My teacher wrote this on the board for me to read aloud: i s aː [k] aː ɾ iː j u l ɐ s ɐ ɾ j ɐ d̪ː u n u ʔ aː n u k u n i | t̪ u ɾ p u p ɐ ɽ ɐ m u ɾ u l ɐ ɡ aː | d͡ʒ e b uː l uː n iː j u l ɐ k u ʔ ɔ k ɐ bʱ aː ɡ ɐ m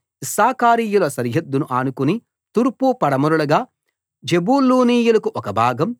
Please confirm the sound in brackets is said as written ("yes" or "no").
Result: yes